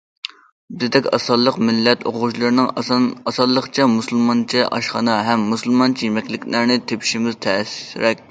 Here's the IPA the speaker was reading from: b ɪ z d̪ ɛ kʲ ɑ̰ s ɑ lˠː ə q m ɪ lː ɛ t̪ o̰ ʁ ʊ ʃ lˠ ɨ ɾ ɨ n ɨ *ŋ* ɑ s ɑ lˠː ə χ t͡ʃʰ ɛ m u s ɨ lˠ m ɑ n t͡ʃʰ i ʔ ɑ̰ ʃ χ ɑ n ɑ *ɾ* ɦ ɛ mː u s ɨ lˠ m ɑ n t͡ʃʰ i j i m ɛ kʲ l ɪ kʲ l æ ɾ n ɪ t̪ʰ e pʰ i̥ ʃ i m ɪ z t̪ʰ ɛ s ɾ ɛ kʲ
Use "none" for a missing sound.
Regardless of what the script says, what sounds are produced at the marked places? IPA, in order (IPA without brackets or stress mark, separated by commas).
ŋ, none